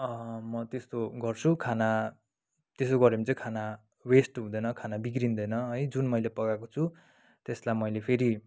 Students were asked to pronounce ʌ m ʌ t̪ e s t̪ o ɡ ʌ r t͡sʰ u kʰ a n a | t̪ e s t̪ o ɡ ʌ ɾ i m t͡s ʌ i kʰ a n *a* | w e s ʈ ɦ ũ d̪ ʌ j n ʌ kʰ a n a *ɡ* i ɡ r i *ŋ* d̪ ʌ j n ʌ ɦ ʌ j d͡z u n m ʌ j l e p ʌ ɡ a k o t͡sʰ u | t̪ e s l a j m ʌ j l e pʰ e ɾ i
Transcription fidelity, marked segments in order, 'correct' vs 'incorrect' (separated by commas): correct, incorrect, incorrect